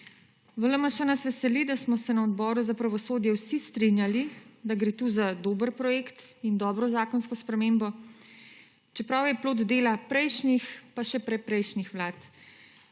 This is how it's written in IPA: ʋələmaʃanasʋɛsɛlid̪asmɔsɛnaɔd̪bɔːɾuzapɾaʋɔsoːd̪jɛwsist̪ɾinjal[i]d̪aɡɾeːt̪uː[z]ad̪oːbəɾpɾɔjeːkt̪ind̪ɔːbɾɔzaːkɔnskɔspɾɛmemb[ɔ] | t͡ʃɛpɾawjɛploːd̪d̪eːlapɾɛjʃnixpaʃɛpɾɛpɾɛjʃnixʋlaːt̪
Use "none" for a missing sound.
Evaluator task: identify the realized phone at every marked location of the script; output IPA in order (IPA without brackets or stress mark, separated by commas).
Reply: i, z, ɔ